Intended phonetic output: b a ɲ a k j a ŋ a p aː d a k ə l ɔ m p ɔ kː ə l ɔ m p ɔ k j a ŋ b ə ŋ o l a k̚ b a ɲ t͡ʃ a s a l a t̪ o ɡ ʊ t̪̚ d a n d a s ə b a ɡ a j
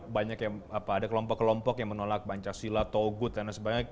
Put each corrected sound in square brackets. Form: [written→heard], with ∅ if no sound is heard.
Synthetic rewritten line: b a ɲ a k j a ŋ a p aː d a k ə l ɔ m p ɔ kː ə l ɔ m p ɔ k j a ŋ [b→m] ə [ŋ→n] o l a k̚ b a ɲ t͡ʃ a s [a→i] l a t̪ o ɡ ʊ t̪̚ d a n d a s ə b a ɡ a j